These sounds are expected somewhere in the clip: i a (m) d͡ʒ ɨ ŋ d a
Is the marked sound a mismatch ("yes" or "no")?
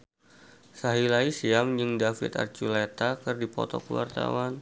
no